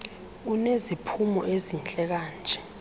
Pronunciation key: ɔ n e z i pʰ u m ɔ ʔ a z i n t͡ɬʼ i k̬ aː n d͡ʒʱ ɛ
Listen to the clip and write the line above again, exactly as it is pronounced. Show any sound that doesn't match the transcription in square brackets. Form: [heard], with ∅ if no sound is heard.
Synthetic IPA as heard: [u] n e z i pʰ u m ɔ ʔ [e] z i n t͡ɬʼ [ɛ] k̬ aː n d͡ʒʱ ɛ